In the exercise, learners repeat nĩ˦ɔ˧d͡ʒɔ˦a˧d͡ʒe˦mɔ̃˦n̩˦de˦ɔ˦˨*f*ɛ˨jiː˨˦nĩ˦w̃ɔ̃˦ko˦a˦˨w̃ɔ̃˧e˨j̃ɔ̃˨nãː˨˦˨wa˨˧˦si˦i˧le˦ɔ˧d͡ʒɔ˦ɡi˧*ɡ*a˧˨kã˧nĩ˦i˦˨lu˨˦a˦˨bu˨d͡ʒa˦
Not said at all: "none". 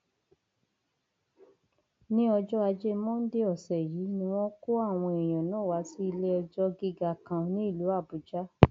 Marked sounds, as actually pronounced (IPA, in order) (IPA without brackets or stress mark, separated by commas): s, ɡ